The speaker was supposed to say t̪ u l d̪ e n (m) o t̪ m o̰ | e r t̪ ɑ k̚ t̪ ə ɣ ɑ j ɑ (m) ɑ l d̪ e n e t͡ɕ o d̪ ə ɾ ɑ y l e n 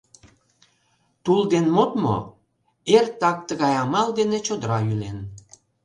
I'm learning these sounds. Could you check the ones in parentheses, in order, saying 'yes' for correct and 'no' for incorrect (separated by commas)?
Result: yes, yes